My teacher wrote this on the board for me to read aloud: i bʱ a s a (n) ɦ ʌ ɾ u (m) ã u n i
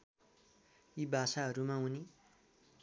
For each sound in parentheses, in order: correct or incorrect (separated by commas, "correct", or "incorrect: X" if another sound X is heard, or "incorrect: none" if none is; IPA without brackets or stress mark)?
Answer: incorrect: none, correct